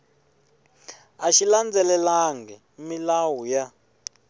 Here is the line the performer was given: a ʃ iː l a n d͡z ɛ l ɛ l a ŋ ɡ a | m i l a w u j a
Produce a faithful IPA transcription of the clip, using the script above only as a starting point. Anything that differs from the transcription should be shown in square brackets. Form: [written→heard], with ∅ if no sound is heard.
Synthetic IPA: a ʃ [iː→i] l a n d͡z ɛ l ɛ l a ŋ ɡ [a→ɛ] | m i l a w u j a